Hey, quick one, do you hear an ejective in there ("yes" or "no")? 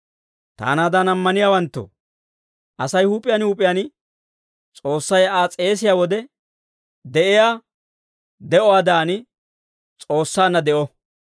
yes